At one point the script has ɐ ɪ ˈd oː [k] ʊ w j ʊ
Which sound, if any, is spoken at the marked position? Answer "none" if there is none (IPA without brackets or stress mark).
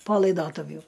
t